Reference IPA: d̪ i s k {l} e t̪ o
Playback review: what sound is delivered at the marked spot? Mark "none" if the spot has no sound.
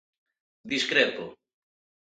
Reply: ɾ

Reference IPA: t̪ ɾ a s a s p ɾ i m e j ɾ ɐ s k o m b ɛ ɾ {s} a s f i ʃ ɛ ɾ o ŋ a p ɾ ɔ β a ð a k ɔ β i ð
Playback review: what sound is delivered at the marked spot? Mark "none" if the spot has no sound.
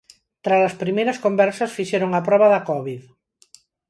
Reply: s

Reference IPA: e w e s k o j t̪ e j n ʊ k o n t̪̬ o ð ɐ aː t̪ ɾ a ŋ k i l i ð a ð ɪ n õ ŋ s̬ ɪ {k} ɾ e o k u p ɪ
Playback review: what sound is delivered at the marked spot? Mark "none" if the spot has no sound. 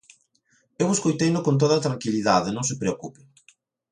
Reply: p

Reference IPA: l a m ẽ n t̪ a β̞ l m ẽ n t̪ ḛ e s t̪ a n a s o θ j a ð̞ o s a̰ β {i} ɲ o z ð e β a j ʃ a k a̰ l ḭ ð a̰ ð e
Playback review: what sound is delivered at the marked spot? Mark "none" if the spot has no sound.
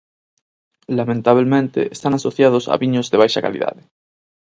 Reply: i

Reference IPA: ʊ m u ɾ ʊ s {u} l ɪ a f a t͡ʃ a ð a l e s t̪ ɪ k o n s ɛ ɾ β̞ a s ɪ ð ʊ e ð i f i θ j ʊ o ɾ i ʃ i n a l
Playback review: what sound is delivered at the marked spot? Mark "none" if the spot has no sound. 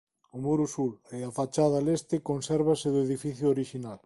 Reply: u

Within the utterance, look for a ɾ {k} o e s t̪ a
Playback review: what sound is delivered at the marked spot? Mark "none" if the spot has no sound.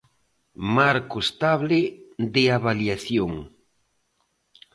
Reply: k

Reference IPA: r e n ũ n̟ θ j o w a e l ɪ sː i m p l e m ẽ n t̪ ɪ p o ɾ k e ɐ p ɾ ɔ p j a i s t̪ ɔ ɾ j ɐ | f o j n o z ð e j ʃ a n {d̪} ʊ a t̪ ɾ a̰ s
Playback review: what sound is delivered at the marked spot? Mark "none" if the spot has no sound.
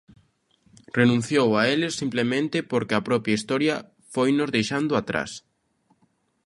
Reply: d̪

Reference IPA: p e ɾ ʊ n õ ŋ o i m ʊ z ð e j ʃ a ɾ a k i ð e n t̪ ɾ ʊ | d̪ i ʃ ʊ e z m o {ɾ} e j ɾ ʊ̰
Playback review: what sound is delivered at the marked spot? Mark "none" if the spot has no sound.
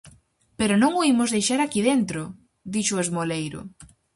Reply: l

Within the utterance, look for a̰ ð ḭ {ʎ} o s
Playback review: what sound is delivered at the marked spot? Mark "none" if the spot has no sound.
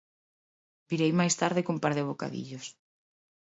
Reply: ʎ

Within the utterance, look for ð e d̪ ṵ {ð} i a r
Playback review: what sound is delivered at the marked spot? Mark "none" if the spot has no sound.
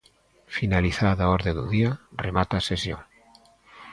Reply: ð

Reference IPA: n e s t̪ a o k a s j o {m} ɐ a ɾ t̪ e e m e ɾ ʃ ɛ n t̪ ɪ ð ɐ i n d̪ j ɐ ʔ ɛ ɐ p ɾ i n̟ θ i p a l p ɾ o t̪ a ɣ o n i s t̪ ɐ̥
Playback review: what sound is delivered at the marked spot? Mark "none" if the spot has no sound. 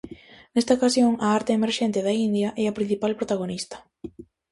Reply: ŋ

